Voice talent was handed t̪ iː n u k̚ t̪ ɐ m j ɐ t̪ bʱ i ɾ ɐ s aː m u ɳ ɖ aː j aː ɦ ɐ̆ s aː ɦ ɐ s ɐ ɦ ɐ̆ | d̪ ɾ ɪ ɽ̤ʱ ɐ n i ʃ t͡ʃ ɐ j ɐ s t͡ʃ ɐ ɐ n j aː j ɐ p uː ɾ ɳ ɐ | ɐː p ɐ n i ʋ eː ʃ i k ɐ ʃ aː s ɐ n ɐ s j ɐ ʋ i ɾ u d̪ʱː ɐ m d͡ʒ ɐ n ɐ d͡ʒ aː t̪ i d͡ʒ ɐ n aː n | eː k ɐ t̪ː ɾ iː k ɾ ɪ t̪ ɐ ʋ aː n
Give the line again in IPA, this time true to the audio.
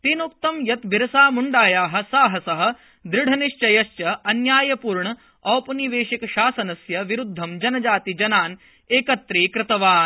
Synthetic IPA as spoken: t̪ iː n u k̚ t̪ ɐ m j ɐ t̪ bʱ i ɾ ɐ s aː m u ɳ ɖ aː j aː ɦ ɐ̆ s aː ɦ ɐ s ɐ ɦ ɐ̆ | d̪ ɾ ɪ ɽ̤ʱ ɐ n i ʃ t͡ʃ ɐ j ɐ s t͡ʃ ɐ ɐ n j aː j ɐ p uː ɾ ɳ ɐ | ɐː p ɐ n i ʋ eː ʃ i k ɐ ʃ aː s ɐ n ɐ s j ɐ ʋ i ɾ u d̪ʱː ɐ m d͡ʒ ɐ n ɐ d͡ʒ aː t̪ i d͡ʒ ɐ n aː n | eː k ɐ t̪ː ɾ iː k ɾ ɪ t̪ ɐ ʋ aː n

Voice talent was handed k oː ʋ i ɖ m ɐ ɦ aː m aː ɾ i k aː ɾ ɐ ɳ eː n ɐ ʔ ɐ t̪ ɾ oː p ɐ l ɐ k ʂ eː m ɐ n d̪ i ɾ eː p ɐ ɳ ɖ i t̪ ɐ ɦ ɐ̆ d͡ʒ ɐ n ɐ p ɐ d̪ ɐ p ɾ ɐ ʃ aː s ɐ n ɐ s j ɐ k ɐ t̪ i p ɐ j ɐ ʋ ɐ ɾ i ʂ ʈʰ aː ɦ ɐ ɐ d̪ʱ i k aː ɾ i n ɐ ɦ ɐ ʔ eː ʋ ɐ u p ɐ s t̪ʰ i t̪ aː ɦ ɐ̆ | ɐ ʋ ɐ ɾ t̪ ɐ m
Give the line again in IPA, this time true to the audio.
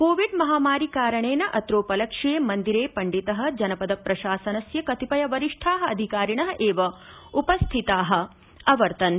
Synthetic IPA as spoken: k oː ʋ i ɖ m ɐ ɦ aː m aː ɾ i k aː ɾ ɐ ɳ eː n ɐ ʔ ɐ t̪ ɾ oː p ɐ l ɐ k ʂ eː m ɐ n d̪ i ɾ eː p ɐ ɳ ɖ i t̪ ɐ ɦ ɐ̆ d͡ʒ ɐ n ɐ p ɐ d̪ ɐ p ɾ ɐ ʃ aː s ɐ n ɐ s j ɐ k ɐ t̪ i p ɐ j ɐ ʋ ɐ ɾ i ʂ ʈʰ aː ɦ ɐ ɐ d̪ʱ i k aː ɾ i ɳ ɐ ɦ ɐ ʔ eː ʋ ɐ u p ɐ s t̪ʰ i t̪ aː ɦ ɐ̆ | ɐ ʋ ɐ ɾ t̪ ɐ n

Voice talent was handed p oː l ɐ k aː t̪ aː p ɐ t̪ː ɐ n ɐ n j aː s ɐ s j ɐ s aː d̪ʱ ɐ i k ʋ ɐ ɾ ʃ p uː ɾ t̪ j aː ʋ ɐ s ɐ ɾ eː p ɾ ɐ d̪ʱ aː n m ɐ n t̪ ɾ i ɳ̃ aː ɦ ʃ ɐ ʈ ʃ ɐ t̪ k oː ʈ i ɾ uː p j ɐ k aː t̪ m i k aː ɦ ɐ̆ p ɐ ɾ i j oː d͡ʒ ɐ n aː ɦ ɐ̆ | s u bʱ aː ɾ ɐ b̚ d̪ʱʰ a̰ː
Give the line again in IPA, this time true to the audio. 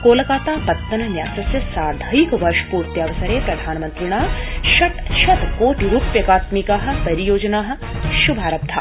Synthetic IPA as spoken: k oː l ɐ k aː t̪ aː p ɐ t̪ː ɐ n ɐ n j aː s ɐ s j ɐ s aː d̪ʱ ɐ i k ʋ ɐ ɾ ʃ p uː ɾ t̪ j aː ʋ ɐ s ɐ ɾ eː p ɾ ɐ d̪ʱ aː n m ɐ n t̪ ɾ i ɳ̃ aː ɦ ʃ ɐ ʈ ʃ ɐ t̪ k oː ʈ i ɾ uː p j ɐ k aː t̪ m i k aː ɦ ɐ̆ p ɐ ɾ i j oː d͡ʒ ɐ n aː ɦ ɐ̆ | ʃ u bʱ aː ɾ ɐ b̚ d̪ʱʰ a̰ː

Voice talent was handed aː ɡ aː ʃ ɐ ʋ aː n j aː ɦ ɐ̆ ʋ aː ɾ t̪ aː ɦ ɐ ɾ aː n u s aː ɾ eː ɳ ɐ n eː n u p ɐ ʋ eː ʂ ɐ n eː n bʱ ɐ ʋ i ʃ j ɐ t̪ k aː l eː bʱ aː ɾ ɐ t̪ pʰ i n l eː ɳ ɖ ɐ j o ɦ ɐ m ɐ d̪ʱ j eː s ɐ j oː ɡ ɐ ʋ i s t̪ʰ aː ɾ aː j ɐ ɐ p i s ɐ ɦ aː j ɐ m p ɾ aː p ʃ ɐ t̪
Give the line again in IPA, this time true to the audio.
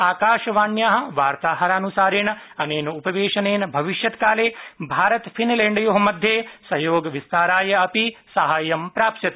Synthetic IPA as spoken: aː k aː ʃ ɐ ʋ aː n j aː ɦ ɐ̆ ʋ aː ɾ t̪ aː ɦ ɐ ɾ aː n u s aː ɾ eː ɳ ɐ n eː n u p ɐ ʋ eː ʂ ɐ n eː n bʱ ɐ ʋ i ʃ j ɐ t̪ k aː l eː bʱ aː ɾ ɐ t̪ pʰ i n l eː ɳ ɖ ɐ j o ɦ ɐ m ɐ d̪ʱ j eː s ɐ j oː ɡ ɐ ʋ i s t̪ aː ɾ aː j ɐ ɐ p i s ɐ ɦ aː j ɐ m p ɾ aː p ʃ ɐ t̪

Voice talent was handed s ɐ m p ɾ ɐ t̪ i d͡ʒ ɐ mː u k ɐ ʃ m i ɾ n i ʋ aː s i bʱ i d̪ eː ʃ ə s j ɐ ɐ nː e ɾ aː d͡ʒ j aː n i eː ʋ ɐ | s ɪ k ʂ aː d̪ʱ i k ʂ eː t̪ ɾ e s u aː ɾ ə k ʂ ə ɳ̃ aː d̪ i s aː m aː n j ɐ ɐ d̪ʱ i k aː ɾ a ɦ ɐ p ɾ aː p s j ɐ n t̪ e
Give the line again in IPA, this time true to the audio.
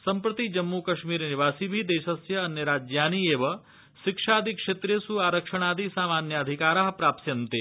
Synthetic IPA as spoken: s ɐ m p ɾ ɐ t̪ i d͡ʒ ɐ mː u k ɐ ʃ m i ɾ n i ʋ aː s i bʱ i d̪ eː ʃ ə s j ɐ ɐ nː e ɾ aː d͡ʒ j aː n i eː ʋ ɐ | ʃ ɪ k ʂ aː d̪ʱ i k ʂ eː t̪ ɾ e s u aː ɾ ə k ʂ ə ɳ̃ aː d̪ i s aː m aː n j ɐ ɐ d̪ʱ i k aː ɾ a ɦ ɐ p ɾ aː p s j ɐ n t̪ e

